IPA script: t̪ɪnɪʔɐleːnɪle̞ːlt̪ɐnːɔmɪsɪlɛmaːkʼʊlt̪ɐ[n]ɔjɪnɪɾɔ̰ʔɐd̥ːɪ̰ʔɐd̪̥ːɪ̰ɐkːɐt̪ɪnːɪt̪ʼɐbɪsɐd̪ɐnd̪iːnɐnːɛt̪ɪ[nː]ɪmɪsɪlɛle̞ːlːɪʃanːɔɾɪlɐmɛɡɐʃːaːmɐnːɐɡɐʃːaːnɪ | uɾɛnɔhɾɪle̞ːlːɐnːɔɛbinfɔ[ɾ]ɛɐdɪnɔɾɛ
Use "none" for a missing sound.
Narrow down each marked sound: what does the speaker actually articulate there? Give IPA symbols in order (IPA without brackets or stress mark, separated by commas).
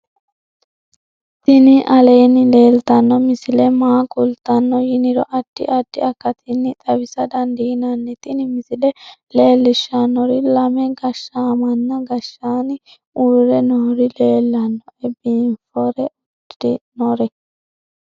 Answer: nː, n, ɾ